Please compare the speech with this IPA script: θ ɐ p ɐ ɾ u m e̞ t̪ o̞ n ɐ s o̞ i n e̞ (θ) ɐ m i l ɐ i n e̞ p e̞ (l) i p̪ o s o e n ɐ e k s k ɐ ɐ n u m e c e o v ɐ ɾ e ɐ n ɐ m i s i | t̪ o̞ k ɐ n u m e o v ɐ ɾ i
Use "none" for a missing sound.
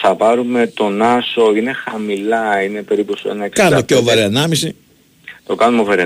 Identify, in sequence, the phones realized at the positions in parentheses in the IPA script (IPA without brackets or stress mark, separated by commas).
x, ɾ